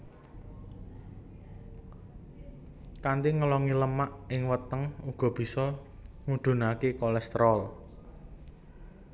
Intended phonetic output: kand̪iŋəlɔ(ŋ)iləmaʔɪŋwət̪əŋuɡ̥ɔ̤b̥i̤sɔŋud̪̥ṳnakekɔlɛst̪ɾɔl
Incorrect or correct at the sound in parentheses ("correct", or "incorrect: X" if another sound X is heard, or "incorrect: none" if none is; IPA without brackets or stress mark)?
correct